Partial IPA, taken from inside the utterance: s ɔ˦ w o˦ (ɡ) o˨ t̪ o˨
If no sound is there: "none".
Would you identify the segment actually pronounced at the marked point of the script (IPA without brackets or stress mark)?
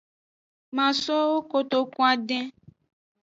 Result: k